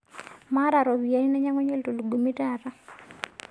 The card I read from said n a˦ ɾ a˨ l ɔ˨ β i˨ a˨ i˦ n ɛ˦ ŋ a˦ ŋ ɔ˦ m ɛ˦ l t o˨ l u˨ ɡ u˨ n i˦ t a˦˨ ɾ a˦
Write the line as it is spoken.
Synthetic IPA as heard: m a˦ ɾ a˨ ɾ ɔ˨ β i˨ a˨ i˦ n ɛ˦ ɲ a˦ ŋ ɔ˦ ɲ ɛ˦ l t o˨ l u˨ ɡ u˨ m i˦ t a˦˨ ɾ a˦